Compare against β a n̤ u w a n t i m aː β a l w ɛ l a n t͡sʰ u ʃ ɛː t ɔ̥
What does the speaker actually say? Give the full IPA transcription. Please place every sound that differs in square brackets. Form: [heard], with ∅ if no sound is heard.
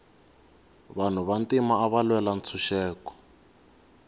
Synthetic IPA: β a n̤ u [β] a n t i m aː β a l w ɛ l a n t͡sʰ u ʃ ɛː [k] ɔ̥